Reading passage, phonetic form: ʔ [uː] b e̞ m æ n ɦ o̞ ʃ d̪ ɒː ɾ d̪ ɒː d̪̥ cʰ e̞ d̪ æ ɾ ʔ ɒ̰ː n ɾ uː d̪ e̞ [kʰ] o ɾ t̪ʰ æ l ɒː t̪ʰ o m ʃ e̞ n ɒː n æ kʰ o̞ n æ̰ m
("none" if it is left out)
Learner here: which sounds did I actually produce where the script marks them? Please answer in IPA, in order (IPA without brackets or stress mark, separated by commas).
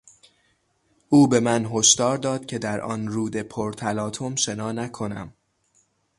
uː, pʰ